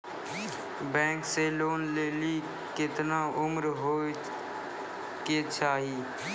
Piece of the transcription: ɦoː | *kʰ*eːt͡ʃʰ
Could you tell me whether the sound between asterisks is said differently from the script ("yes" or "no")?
yes